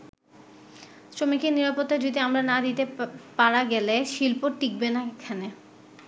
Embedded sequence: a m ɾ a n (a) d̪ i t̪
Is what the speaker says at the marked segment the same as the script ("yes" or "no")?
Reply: yes